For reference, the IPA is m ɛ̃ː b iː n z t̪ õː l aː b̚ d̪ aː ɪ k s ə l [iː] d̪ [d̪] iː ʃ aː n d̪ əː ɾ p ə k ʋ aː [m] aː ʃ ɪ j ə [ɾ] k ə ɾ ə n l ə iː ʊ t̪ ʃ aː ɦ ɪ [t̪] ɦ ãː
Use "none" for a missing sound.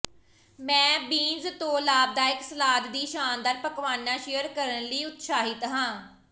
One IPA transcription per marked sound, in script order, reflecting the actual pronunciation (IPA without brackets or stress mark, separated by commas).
aː, d̪, n, ɾ, t̪